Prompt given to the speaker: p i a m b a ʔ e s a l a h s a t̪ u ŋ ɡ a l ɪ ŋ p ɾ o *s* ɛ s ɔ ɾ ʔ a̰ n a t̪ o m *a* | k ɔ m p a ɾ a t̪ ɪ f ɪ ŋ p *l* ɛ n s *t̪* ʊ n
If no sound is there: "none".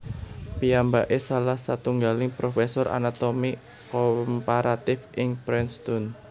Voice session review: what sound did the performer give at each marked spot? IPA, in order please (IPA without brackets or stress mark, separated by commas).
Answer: f, i, ɾ, t̪